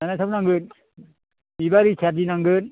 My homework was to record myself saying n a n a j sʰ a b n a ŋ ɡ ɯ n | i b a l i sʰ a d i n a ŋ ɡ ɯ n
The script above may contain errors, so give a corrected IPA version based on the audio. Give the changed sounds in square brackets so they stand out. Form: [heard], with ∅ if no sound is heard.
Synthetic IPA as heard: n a n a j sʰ a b n a ŋ ɡ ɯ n | i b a [ɾ] i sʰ a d i n a ŋ ɡ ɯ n